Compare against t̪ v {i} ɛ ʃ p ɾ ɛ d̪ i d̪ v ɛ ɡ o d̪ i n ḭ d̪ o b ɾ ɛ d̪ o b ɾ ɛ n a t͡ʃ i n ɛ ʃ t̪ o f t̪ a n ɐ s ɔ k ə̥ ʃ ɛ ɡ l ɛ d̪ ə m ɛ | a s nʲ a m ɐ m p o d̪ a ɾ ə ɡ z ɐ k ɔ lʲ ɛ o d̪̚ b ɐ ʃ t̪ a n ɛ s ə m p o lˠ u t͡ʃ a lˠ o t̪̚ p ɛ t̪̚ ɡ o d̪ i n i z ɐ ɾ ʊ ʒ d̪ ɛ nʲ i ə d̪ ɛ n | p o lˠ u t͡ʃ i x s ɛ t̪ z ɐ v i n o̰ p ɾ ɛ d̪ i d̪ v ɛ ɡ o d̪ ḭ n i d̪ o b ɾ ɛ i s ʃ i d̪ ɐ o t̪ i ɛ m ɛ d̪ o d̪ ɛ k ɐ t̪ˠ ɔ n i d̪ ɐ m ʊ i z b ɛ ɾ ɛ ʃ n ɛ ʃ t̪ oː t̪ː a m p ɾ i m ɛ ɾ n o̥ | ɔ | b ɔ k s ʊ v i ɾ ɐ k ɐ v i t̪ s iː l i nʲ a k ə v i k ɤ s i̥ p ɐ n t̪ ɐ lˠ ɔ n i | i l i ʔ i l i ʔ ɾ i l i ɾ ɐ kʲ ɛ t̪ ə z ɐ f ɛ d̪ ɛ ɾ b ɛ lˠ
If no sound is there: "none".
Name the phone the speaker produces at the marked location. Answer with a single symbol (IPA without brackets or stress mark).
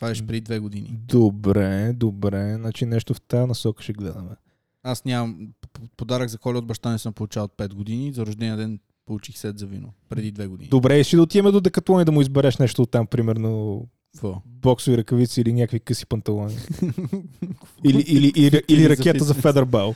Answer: a